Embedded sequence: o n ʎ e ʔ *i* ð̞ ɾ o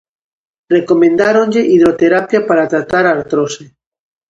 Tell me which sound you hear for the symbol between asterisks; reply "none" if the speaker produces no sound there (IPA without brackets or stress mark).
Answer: i